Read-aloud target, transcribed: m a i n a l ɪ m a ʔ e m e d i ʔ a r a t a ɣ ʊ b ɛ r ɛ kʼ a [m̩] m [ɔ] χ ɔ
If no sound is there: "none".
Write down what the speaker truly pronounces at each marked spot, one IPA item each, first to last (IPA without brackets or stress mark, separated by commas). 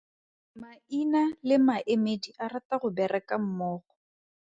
m̩, ɔː